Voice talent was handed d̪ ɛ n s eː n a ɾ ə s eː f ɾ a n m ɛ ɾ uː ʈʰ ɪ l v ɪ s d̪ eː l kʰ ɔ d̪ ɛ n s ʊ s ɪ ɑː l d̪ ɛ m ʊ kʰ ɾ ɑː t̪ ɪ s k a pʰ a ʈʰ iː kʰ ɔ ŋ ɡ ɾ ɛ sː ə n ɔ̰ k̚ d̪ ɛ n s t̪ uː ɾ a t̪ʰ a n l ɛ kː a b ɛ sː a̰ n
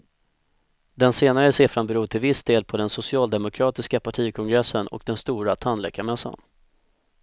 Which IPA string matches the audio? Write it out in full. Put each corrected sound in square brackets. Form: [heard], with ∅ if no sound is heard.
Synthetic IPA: d̪ ɛ n s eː n a ɾ ə s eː f ɾ a n [b] ɛ ɾ uː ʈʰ ɪ l v ɪ s d̪ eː l [pʰ] ɔ d̪ ɛ n s ʊ s ɪ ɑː l d̪ ɛ m ʊ kʰ ɾ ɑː t̪ ɪ s k a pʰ a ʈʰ iː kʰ ɔ ŋ ɡ ɾ ɛ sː ə n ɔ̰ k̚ d̪ ɛ n s t̪ uː ɾ a t̪ʰ a n l ɛ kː a [m] ɛ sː a̰ n